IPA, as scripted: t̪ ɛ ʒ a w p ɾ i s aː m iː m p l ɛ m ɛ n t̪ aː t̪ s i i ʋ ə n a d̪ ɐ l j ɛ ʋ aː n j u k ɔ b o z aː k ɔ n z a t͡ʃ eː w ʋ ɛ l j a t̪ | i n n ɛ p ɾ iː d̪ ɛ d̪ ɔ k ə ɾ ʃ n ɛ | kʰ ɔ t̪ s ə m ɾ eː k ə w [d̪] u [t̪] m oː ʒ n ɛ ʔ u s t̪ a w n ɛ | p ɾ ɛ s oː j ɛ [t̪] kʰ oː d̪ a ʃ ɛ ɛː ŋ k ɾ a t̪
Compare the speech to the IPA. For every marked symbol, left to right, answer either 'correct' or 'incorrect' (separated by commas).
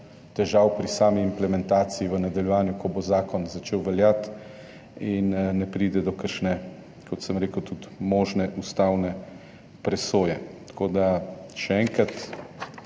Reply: incorrect, correct, correct